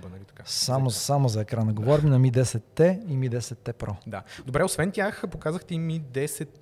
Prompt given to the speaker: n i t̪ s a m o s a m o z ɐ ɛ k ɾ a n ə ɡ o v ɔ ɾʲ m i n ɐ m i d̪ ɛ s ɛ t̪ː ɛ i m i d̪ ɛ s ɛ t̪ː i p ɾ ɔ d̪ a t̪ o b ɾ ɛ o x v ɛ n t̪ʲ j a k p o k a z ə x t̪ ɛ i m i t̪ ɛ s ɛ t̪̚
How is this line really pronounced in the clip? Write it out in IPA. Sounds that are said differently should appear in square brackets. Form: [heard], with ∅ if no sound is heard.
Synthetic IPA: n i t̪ s a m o s a m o z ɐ ɛ k ɾ a n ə ɡ o v ɔ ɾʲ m i n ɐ m i d̪ ɛ s ɛ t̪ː ɛ i m i d̪ ɛ s ɛ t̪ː [ɛ] p ɾ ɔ d̪ a [d̪] o b ɾ ɛ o [s] v ɛ n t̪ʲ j a [x] p o k a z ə x t̪ ɛ i m i [d̪] ɛ s ɛ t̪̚